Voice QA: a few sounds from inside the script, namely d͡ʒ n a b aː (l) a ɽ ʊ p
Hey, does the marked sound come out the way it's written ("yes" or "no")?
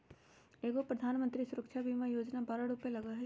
no